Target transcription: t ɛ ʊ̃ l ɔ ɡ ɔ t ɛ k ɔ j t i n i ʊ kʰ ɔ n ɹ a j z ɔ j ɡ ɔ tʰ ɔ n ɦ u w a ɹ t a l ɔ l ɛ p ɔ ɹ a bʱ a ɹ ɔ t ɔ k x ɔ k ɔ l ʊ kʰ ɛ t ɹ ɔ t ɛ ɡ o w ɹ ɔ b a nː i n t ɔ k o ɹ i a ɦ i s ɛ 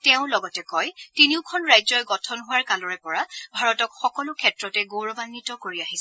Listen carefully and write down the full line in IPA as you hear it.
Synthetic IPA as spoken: t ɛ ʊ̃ l ɔ ɡ ɔ t ɛ k ɔ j t i n i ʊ kʰ ɔ n ɹ a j z ɔ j ɡ ɔ tʰ ɔ n ɦ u w a ɹ k a l ɔ ɹ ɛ p ɔ ɹ a bʱ a ɹ ɔ t ɔ k x ɔ k ɔ l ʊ kʰ ɛ t ɹ ɔ t ɛ ɡ o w ɹ ɔ b a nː i t ɔ k o ɹ i a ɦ i s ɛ